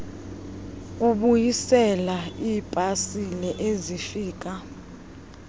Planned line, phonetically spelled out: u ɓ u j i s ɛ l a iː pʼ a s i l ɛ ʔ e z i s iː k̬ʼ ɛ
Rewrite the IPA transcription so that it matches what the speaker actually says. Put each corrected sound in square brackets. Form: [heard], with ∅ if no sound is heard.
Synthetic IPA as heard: u ɓ u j i s ɛ l a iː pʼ a s i l ɛ ʔ e z i [f] iː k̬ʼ [a]